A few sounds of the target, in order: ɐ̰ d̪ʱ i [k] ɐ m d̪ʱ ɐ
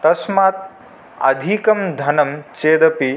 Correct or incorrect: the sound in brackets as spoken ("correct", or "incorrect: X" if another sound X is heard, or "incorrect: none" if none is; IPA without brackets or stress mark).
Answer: correct